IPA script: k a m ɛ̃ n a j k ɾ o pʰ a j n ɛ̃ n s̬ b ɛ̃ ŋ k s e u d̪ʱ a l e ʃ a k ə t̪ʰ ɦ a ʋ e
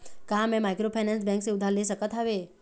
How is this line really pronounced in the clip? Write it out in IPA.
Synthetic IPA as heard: k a m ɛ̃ m a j k ɾ o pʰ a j n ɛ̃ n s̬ b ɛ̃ ŋ k s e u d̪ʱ a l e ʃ ə k ə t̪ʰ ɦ a ʋ e